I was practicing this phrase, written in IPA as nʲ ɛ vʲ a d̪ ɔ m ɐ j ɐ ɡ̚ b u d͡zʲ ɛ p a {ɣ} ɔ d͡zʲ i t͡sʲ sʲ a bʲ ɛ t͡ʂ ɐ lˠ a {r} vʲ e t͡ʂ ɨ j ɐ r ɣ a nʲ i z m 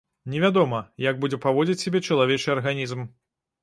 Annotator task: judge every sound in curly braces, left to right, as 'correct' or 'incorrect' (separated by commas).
incorrect, incorrect